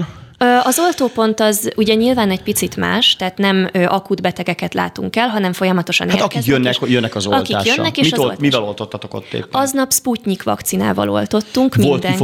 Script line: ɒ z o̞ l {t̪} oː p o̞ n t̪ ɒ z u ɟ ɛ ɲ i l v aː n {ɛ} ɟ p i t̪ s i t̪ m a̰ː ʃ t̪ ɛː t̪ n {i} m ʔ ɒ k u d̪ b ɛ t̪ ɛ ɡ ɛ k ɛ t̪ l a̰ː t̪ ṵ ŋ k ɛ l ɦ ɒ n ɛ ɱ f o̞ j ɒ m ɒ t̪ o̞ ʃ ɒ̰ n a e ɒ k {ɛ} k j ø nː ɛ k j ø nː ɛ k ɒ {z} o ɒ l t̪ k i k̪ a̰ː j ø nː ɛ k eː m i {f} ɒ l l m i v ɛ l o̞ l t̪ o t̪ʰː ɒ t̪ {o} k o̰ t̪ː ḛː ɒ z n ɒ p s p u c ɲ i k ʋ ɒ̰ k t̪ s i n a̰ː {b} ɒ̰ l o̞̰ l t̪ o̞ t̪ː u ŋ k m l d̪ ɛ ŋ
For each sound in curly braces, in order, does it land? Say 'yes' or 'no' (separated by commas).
yes, yes, no, no, yes, no, yes, no